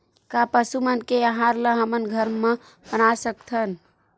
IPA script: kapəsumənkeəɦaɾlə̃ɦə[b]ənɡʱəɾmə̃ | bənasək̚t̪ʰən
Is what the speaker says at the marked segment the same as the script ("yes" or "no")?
no